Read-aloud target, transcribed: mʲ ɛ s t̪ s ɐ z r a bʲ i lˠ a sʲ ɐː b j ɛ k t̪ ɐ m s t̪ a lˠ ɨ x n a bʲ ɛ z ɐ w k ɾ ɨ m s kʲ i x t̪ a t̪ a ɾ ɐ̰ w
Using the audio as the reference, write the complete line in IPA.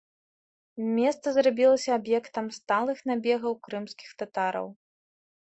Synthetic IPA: mʲ ɛ s t̪ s ɐ z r a bʲ i lˠ ɐ sʲ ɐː b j ɛ k t̪ ɐ m s t̪ a lˠ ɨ x n a bʲ ɛ ɣ ɐ w k ɾ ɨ m s kʲ i x t̪ a t̪ a ɾ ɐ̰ w